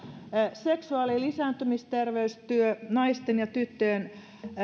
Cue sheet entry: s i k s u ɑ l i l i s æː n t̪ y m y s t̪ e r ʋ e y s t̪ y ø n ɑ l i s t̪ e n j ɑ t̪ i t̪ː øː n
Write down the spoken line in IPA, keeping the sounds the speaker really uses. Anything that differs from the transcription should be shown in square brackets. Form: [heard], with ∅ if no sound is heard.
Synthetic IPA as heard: s [e] k s u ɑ l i l i s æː n t̪ y m [i] s t̪ e r ʋ e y s t̪ y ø n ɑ [∅] i s t̪ e n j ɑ t̪ [y] t̪ː øː n